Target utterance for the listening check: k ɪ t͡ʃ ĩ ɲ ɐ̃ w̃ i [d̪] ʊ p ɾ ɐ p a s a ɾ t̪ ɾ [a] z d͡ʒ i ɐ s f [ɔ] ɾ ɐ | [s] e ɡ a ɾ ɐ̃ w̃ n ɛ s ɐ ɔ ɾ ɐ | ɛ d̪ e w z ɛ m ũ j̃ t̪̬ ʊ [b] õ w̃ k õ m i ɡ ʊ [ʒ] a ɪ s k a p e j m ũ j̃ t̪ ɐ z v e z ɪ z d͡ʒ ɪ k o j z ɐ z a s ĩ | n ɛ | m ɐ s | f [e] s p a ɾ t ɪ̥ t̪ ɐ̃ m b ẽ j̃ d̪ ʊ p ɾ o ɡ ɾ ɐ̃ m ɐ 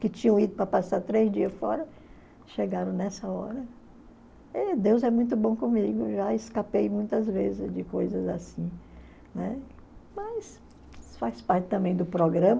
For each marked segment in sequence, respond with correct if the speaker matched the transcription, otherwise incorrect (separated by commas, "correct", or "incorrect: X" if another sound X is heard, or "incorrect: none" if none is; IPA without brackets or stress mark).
correct, incorrect: e, correct, incorrect: ʃ, correct, correct, incorrect: a